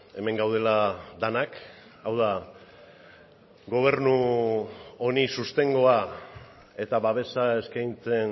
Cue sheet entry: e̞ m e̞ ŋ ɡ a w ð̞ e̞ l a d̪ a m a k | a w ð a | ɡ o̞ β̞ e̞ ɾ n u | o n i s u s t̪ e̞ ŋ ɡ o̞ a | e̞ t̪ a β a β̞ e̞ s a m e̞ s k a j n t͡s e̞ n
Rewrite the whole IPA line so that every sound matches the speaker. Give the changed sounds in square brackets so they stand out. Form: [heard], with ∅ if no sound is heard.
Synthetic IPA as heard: e̞ m e̞ ŋ ɡ a w ð̞ e̞ l a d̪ a [n] a k | a w ð a | ɡ o̞ β̞ e̞ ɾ n u | o n i s u s t̪ e̞ ŋ ɡ o̞ a | e̞ t̪ a β a β̞ e̞ s a [∅] e̞ s k a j n t͡s e̞ n

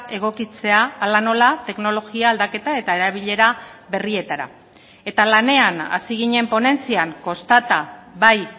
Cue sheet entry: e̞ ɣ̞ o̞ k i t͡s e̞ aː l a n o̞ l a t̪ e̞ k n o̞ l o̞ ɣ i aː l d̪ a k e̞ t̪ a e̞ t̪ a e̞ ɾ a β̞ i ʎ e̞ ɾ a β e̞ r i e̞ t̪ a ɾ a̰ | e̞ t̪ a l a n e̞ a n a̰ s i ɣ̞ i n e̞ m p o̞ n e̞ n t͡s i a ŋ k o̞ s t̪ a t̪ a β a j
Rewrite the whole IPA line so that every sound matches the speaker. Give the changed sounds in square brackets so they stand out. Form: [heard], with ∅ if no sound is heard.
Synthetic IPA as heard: e̞ ɣ̞ o̞ k i t͡s e̞ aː l a n o̞ l a t̪ e̞ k n o̞ l o̞ ɣ i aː l d̪ a k e̞ t̪ a e̞ t̪ a e̞ ɾ a β̞ i ʎ e̞ ɾ a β e̞ r i e̞ t̪ a ɾ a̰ | e̞ t̪ a l a n e̞ a n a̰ s i ɣ̞ i [ɲ] e̞ m p o̞ n e̞ n t͡s i a ŋ k o̞ s t̪ a t̪ a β a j

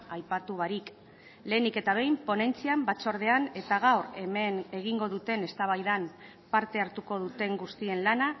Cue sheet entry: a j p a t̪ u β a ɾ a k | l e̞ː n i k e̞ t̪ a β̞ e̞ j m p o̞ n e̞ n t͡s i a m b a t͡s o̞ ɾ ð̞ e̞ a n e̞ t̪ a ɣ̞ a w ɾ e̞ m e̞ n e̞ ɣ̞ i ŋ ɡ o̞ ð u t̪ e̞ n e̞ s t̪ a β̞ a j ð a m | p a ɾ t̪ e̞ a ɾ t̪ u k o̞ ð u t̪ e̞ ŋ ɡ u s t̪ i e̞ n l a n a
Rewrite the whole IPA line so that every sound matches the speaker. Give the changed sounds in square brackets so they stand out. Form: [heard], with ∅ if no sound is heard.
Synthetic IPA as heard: a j p a t̪ u β a ɾ [i] k | l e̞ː n i k e̞ t̪ a β̞ e̞ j m p o̞ n e̞ n t͡s i a m b a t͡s o̞ ɾ ð̞ e̞ a n e̞ t̪ a ɣ̞ a w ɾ e̞ m e̞ n e̞ ɣ̞ i ŋ ɡ o̞ ð u t̪ e̞ n e̞ s t̪ a β̞ a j ð a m | p a ɾ t̪ e̞ a ɾ t̪ u k o̞ ð u t̪ e̞ ŋ ɡ u s t̪ i e̞ n l a n a

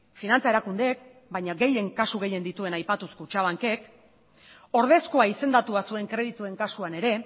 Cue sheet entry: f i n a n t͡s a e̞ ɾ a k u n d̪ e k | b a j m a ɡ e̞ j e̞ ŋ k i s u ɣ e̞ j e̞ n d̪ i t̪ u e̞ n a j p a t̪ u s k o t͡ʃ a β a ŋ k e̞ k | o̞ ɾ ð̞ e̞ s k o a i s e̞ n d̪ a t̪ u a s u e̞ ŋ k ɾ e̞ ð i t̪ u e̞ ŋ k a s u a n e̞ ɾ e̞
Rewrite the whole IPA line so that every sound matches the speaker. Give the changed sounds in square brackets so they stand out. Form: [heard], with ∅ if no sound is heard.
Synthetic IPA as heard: f i n a n t͡s a e̞ ɾ a k u n d̪ e k | b a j [ɲ] a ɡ e̞ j e̞ ŋ k [a] s u ɣ e̞ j e̞ n d̪ i t̪ u e̞ n a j p a t̪ u s k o t͡ʃ a β a ŋ k e̞ k | o̞ ɾ ð̞ e̞ s k o a i s e̞ n d̪ a t̪ u a s u e̞ ŋ k ɾ e̞ ð i t̪ u e̞ ŋ k a s u a n e̞ ɾ e̞

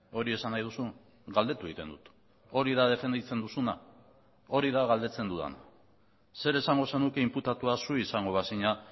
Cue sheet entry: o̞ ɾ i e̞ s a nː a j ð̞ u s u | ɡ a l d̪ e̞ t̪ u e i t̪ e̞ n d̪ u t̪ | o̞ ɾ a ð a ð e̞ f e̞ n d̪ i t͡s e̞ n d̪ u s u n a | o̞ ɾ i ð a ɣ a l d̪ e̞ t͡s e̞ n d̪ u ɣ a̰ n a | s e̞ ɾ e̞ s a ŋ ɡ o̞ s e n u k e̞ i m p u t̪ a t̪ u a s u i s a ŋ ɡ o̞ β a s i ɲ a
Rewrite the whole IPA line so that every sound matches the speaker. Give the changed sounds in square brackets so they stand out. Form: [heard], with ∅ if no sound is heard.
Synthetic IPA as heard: o̞ ɾ i e̞ s a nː a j ð̞ u s u | ɡ a l d̪ e̞ t̪ u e i t̪ e̞ n d̪ u t̪ | o̞ ɾ [i] ð a ð e̞ f e̞ n d̪ i t͡s e̞ n d̪ u s u n a | o̞ ɾ i ð a ɣ a l d̪ e̞ t͡s e̞ n d̪ u [ð] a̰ n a | s e̞ ɾ e̞ s a ŋ ɡ o̞ s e n u k e̞ i m p u t̪ a t̪ u a s u i s a ŋ ɡ o̞ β a s i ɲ a

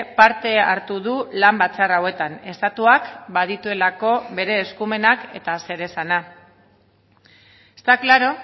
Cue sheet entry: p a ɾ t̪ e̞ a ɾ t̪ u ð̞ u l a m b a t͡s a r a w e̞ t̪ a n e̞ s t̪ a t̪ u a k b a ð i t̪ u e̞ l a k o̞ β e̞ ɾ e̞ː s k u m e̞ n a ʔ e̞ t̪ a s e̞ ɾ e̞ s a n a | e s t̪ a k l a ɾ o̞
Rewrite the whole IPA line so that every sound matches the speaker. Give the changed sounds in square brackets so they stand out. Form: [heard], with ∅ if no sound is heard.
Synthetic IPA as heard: p a ɾ t̪ e̞ a ɾ t̪ u ð̞ u l a m b a t͡s a r a w e̞ t̪ a n e̞ s t̪ a t̪ u a k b a ð i t̪ u e̞ l a k o̞ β e̞ ɾ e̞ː s k u m e̞ n a [k] e̞ t̪ a s e̞ ɾ e̞ s a n a | e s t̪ a k l a ɾ o̞

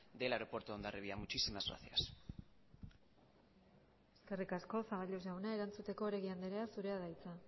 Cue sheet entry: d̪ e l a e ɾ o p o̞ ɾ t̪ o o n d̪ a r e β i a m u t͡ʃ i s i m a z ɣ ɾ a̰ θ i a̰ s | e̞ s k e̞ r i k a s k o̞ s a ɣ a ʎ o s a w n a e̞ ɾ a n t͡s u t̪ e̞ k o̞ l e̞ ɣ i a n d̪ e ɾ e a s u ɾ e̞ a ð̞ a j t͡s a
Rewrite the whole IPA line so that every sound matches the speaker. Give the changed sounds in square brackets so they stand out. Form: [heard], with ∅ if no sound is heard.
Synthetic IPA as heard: d̪ e l a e ɾ o p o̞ ɾ t̪ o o n d̪ a r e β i a m u t͡ʃ i s i m a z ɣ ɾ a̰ θ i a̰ s | e̞ s k e̞ r i k a s k o̞ s a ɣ a ʎ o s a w n a e̞ ɾ a n t͡s u t̪ e̞ k o̞ [ɾ] e̞ ɣ i a n d̪ e ɾ e a s u ɾ e̞ a ð̞ a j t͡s a

